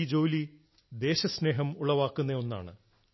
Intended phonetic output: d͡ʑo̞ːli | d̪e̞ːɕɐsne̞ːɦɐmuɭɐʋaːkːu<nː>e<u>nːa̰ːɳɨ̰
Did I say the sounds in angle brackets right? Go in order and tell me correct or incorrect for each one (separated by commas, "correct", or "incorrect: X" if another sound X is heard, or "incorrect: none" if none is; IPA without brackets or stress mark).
correct, incorrect: o